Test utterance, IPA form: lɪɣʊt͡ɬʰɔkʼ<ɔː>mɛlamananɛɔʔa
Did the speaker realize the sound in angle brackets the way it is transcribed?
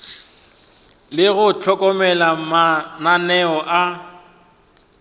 no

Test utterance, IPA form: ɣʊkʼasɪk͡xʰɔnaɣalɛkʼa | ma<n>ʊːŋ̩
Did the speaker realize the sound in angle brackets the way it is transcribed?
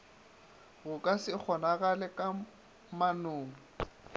yes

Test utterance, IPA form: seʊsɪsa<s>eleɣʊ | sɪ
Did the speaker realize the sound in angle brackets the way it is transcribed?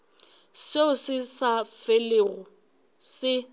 no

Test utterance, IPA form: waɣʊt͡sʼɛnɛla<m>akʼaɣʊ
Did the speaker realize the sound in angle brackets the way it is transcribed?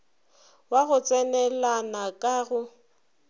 no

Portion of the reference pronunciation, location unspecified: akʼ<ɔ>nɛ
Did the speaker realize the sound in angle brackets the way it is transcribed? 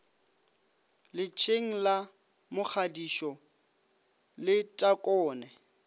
no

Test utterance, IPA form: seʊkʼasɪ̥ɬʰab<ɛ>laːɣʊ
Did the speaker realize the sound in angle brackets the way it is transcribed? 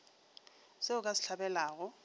yes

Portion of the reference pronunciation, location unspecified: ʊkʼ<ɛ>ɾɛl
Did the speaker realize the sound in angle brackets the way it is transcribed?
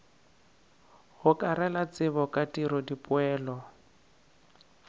no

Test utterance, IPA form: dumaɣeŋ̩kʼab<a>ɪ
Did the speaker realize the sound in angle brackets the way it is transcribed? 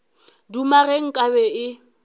no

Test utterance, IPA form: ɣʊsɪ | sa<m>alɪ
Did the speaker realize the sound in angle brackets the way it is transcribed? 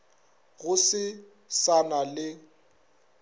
no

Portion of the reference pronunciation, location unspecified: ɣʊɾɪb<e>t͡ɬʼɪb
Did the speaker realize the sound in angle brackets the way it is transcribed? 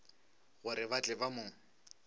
no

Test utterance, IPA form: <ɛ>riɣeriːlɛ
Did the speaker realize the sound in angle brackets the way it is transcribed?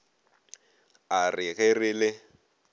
no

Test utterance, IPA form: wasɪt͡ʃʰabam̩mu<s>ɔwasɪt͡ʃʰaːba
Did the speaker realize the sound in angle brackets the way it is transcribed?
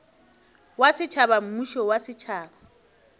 no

